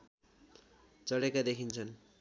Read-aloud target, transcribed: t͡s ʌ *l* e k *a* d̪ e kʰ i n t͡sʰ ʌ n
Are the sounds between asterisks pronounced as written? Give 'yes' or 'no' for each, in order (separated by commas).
no, yes